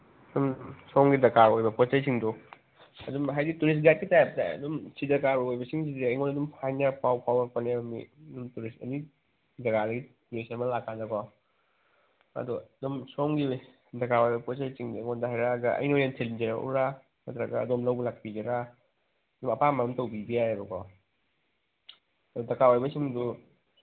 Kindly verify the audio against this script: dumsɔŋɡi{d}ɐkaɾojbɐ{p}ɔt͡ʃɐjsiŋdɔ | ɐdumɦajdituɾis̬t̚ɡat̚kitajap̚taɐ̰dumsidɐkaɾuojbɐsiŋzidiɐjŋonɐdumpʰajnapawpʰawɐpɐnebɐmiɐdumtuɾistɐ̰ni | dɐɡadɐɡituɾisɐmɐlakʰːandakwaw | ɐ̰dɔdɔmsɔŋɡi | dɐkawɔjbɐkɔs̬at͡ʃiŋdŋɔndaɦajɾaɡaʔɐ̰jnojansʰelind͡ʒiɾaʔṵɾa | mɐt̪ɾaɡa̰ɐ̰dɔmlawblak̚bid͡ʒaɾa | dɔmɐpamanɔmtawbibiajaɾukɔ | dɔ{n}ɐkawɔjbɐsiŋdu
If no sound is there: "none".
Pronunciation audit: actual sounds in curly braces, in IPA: d, p, d

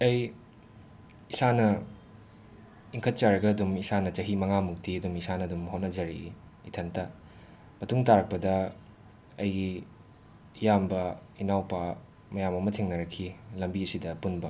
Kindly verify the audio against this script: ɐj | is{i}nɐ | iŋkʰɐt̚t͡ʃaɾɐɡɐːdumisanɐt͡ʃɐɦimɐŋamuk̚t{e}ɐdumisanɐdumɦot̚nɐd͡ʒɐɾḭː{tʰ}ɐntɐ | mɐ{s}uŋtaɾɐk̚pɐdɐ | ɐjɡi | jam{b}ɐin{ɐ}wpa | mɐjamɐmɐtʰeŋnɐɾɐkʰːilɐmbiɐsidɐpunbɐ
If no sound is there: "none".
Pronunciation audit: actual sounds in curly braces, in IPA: a, i, tʰ, t, b, a

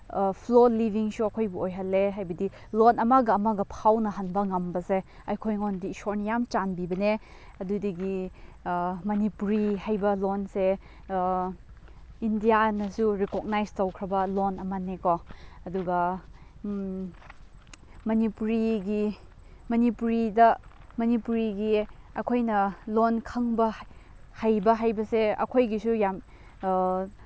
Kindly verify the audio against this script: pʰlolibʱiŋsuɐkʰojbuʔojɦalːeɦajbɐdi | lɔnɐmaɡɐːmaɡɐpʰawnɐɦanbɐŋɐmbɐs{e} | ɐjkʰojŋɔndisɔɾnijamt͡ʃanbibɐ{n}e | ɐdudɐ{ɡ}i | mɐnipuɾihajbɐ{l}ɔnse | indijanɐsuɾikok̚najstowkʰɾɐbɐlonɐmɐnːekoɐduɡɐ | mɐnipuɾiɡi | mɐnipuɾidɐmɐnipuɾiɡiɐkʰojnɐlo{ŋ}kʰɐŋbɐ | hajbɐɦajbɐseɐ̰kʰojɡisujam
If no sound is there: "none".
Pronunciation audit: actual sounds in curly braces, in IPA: e, n, ɡ, l, n

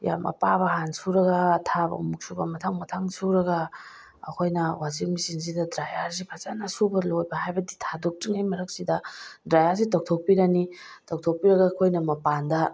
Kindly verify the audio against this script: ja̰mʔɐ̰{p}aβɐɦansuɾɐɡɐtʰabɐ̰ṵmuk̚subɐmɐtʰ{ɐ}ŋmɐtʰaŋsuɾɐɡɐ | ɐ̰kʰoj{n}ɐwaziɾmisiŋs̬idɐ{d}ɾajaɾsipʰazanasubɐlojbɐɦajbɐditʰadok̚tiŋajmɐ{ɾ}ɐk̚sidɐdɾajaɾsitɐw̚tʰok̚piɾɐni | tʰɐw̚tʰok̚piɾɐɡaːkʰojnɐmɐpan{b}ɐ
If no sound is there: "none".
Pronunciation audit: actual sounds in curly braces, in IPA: p, a, n, d, ɾ, d

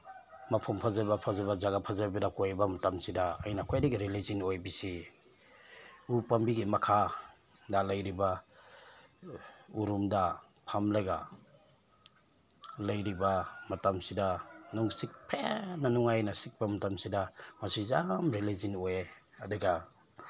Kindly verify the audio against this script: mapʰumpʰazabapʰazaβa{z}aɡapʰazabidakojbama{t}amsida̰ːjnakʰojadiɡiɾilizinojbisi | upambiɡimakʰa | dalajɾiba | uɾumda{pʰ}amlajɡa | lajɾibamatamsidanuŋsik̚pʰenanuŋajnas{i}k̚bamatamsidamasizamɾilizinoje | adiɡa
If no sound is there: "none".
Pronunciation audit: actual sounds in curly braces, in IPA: z, t, pʰ, i

